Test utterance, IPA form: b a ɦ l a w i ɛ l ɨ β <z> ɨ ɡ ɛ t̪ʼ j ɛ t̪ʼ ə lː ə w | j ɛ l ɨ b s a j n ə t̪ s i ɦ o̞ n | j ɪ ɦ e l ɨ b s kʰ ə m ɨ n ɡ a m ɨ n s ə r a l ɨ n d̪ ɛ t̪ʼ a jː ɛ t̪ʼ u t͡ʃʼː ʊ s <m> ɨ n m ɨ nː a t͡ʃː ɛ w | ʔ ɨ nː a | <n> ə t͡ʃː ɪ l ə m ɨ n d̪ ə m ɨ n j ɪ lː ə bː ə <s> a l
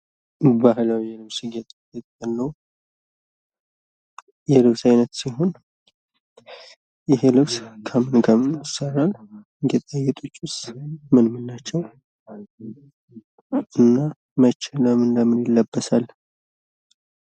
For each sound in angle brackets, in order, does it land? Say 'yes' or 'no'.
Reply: no, yes, no, yes

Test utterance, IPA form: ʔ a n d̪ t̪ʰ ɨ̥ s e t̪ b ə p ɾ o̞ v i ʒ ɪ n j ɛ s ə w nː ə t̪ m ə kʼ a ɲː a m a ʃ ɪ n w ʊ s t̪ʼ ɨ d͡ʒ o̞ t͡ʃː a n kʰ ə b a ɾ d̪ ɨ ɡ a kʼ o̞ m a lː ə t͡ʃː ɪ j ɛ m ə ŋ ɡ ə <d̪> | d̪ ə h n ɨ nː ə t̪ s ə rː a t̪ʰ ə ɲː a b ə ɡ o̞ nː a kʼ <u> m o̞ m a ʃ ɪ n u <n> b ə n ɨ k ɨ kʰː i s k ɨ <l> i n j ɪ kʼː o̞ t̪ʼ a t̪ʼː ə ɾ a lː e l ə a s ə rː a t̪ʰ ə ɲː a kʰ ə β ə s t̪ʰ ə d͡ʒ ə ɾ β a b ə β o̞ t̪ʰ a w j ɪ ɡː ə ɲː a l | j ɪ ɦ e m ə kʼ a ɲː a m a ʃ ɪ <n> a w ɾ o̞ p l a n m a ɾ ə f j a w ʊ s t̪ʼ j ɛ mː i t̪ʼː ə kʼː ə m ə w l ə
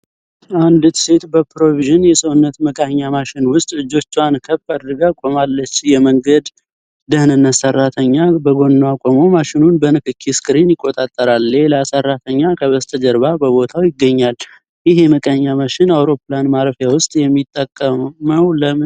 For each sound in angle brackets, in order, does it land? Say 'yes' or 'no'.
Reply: yes, no, yes, no, yes

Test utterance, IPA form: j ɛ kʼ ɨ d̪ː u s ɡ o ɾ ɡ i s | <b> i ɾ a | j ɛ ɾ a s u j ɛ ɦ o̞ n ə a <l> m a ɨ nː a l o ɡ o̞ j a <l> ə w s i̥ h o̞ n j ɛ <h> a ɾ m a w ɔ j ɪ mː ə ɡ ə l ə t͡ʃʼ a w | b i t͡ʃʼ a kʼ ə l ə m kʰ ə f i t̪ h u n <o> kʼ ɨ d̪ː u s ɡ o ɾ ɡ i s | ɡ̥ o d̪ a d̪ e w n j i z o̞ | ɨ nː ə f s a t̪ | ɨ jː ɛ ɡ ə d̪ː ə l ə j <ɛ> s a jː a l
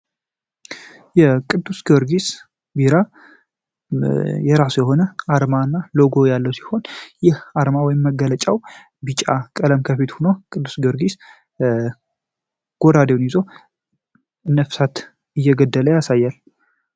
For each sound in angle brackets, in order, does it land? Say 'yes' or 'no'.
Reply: yes, no, no, yes, yes, no

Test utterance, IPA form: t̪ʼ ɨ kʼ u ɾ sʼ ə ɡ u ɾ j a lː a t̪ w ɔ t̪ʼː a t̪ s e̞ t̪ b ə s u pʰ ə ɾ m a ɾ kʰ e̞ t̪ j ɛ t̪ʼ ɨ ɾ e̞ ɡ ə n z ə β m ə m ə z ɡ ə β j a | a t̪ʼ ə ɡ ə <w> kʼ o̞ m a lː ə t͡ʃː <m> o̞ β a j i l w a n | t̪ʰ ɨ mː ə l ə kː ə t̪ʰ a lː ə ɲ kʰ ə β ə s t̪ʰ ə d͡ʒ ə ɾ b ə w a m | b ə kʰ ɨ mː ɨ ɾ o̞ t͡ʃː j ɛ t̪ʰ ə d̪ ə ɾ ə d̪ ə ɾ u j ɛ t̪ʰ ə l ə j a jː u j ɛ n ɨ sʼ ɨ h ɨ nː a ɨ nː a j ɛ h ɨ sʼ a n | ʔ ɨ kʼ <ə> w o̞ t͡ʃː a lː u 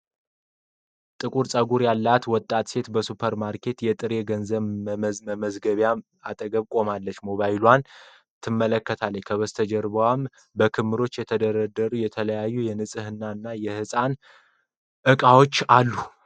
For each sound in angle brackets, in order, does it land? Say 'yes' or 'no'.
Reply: no, yes, no

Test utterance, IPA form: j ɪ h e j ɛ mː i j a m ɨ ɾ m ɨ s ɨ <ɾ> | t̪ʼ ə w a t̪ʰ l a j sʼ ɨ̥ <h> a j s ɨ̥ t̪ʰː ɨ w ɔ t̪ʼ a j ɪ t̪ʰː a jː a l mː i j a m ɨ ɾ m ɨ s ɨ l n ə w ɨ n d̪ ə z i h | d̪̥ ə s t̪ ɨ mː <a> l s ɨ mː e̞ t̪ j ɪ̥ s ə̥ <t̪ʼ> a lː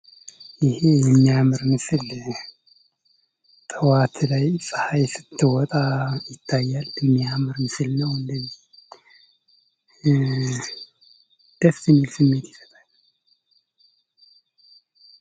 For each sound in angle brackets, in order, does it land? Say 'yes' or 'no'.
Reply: no, yes, no, yes

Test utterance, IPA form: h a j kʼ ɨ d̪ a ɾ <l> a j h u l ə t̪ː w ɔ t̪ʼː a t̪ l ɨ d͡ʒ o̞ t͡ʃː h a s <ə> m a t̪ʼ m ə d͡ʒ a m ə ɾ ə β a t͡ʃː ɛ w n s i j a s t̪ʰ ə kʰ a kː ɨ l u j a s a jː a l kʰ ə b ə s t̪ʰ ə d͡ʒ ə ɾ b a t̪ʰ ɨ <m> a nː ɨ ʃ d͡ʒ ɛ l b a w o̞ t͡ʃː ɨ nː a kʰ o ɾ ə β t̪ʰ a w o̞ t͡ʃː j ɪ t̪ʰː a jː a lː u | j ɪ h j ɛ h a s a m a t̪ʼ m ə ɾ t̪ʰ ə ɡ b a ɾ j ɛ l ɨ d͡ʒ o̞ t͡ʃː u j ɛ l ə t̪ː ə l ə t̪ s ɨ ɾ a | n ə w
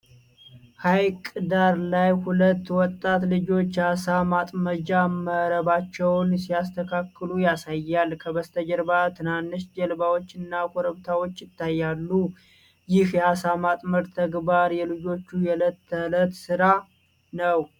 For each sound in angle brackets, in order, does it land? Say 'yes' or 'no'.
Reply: yes, no, no

